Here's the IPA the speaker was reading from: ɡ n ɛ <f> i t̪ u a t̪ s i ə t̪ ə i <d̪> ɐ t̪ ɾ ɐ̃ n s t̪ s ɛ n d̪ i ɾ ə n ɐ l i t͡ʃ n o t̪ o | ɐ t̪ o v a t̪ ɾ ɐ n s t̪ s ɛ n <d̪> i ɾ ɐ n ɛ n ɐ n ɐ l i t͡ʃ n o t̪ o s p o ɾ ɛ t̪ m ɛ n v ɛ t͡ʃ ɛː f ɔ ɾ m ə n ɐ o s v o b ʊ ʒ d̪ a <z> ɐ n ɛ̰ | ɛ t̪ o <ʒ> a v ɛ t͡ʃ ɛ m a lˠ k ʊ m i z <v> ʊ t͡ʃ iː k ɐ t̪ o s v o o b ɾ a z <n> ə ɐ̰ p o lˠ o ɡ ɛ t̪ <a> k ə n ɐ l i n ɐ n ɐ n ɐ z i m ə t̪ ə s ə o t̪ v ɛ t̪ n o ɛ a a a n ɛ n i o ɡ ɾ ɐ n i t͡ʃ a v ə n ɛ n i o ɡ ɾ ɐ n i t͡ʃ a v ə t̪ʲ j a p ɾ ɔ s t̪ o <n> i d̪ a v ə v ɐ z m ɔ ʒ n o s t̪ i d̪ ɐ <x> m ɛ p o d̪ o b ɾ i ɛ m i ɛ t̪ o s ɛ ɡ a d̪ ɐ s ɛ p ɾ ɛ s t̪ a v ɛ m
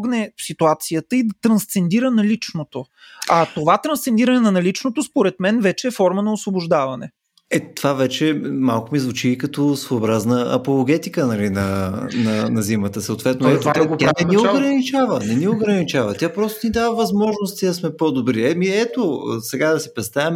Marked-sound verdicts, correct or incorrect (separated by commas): incorrect, correct, correct, incorrect, incorrect, correct, correct, incorrect, correct, incorrect